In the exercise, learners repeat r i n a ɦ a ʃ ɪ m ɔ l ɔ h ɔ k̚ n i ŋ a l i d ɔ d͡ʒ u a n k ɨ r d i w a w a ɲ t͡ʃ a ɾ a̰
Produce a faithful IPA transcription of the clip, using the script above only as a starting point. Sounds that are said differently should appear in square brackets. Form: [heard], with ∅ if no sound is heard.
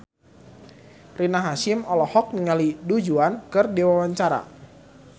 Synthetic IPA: r i n a ɦ a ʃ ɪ m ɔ l ɔ h ɔ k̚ n i ŋ a l i d [u] d͡ʒ u a n k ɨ r d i w a w a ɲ t͡ʃ a ɾ a̰